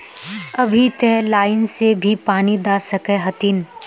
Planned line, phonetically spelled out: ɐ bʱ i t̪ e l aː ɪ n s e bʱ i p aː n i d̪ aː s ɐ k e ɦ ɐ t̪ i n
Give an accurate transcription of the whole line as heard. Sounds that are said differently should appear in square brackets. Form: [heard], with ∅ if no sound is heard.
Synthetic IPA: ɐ bʱ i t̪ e l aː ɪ n s e bʱ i p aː n i d̪ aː s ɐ k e ɦ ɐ t̪ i n